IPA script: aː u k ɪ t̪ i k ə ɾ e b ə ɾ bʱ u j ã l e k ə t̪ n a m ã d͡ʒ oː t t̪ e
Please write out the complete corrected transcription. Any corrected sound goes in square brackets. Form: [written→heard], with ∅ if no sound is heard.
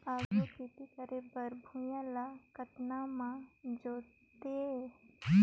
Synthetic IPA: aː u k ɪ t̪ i k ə ɾ e b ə ɾ bʱ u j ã l [e→a] k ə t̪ n a m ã d͡ʒ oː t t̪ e